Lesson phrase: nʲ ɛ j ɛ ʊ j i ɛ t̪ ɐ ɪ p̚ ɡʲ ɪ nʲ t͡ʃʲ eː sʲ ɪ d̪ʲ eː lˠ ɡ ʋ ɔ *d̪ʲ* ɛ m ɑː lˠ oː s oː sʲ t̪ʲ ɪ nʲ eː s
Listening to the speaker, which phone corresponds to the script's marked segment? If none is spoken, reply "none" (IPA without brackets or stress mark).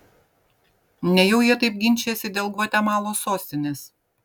t̪ʲ